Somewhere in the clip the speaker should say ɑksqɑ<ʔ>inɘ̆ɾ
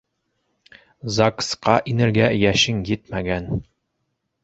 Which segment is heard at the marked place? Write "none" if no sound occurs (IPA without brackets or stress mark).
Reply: ʔ